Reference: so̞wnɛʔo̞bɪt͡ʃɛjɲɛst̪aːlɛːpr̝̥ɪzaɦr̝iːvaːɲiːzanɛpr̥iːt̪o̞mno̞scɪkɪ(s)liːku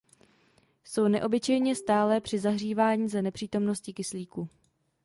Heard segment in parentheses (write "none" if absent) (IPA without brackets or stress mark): s